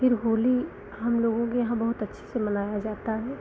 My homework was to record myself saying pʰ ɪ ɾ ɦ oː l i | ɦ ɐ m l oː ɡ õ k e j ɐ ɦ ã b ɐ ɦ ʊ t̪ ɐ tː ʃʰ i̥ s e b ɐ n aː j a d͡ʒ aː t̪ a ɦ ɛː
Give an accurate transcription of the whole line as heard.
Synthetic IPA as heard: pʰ ɪ ɾ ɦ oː l i | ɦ ɐ m l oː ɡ õ k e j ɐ ɦ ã b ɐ ɦ ʊ t̪ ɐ tː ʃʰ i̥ s e m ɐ n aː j a d͡ʒ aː t̪ a ɦ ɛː